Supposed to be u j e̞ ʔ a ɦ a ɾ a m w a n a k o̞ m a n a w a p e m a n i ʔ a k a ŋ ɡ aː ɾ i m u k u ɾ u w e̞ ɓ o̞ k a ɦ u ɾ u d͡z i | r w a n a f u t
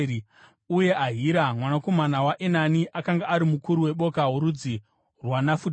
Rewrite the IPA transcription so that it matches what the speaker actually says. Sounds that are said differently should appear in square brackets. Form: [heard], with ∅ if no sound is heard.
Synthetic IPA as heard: u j e̞ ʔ a ɦ [i] ɾ a m w a n a k o̞ m a n a w a [ʔ] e [n] a n i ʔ a k a ŋ ɡ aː ɾ i m u k u ɾ u w e̞ ɓ o̞ k a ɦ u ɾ u d͡z i | r w a n a f u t